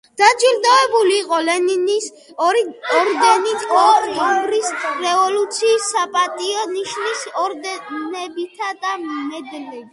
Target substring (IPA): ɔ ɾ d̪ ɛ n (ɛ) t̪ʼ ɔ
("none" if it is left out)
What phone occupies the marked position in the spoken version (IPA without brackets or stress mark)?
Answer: i